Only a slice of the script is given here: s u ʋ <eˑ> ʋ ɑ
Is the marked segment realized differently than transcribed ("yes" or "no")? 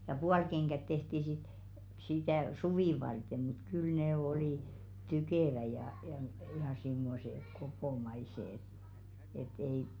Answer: yes